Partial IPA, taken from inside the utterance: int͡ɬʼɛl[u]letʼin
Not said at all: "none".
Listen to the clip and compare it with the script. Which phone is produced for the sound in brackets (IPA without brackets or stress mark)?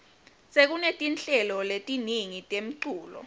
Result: ɔ